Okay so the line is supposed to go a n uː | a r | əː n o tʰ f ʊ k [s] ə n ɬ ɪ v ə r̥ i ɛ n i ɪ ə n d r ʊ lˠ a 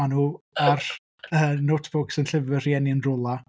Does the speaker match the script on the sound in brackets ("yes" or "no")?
yes